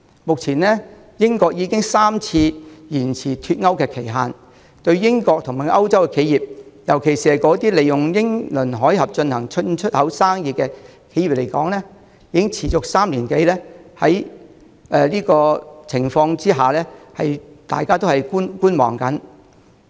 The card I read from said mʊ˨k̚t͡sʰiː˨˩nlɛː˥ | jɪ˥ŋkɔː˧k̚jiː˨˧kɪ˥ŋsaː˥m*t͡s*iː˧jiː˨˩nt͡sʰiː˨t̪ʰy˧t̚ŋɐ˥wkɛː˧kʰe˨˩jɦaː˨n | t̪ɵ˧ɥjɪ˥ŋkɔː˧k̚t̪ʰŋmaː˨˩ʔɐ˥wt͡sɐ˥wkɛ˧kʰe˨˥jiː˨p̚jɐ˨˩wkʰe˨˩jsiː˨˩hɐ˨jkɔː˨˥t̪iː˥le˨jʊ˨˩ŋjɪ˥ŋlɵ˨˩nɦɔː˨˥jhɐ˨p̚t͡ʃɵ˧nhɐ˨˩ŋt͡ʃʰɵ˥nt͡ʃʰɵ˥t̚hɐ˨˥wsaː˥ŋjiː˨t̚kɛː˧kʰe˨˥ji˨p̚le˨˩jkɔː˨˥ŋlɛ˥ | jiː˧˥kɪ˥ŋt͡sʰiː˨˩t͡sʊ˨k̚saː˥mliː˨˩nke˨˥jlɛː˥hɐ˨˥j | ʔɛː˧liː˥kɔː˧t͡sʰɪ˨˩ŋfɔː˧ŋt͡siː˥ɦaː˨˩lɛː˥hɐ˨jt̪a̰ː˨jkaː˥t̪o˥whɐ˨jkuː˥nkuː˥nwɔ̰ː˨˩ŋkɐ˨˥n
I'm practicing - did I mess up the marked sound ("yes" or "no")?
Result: yes